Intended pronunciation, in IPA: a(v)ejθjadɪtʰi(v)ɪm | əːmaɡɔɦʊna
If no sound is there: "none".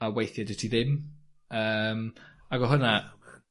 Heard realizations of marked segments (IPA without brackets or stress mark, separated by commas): w, ð